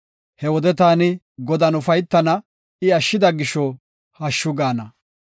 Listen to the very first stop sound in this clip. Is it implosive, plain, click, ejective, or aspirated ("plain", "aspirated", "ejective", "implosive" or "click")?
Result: plain